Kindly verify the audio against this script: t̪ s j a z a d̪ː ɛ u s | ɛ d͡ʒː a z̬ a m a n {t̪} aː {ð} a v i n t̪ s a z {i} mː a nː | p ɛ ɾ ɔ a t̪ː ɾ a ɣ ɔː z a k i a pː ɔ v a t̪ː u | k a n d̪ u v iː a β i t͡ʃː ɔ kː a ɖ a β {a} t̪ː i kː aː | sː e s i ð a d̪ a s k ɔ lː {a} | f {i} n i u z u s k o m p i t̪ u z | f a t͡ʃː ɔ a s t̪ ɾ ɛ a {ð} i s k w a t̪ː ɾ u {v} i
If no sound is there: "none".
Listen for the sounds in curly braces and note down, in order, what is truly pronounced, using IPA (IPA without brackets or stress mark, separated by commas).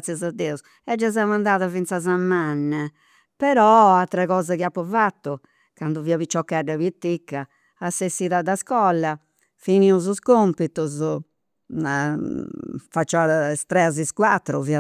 d̪, ð, a, i, a, i, z, v